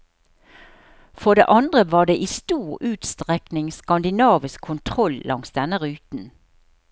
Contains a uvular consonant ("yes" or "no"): yes